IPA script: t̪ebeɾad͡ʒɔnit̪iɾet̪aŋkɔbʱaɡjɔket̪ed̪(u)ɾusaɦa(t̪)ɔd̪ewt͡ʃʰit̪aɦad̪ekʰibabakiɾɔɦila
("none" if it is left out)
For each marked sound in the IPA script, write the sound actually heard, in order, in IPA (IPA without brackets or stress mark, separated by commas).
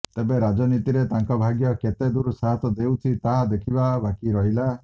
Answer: u, t̪